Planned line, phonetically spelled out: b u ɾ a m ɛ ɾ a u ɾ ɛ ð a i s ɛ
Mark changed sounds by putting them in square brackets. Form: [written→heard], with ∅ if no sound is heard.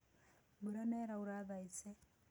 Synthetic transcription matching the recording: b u ɾ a [m→n] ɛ ɾ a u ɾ [ɛ→a] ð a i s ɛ